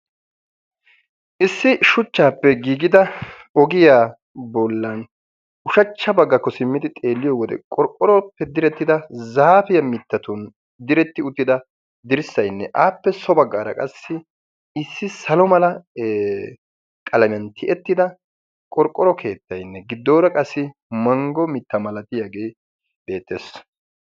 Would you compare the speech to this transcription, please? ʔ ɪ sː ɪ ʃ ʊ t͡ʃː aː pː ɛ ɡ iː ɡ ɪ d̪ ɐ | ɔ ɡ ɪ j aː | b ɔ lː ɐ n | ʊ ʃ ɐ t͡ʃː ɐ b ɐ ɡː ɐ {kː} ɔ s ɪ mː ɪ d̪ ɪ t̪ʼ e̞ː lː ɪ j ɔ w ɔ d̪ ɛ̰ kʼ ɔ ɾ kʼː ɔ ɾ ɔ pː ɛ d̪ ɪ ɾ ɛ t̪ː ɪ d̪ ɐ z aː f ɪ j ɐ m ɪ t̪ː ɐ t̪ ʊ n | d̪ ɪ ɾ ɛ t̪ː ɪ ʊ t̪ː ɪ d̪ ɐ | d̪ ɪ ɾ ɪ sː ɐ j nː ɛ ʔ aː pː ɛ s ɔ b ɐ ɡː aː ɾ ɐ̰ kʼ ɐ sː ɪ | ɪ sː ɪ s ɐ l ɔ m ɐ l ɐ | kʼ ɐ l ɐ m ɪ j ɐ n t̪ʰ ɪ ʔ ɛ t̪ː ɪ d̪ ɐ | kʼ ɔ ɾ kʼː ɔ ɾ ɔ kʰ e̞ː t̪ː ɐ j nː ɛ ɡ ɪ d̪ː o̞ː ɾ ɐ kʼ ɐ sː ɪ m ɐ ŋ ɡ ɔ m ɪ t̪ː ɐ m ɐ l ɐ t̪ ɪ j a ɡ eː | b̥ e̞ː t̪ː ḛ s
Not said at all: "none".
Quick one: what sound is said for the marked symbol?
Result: kː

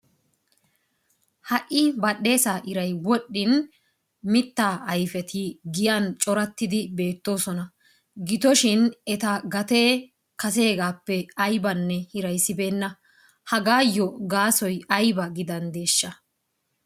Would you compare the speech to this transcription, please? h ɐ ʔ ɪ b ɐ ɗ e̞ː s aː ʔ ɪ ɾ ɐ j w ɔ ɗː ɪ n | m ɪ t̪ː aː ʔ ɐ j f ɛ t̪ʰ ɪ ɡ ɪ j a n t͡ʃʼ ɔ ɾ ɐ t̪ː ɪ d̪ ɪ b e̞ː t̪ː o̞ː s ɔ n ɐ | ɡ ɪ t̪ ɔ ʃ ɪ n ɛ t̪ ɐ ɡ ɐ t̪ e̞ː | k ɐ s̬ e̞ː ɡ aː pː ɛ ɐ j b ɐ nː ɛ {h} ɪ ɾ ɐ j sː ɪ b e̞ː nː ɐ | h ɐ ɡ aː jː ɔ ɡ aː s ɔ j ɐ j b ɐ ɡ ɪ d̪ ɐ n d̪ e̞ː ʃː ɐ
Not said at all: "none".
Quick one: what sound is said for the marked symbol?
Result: h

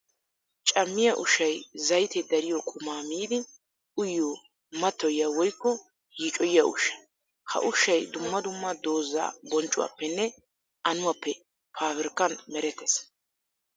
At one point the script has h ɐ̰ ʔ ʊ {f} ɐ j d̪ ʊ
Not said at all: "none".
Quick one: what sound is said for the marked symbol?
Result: ʃ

